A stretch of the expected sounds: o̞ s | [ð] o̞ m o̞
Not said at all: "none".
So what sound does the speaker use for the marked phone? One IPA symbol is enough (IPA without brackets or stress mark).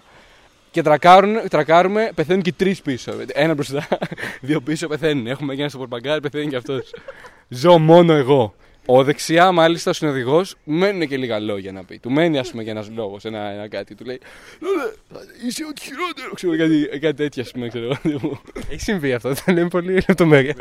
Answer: z